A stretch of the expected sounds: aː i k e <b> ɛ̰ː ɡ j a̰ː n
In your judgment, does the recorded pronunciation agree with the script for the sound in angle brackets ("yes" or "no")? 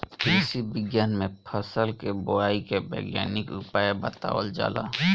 yes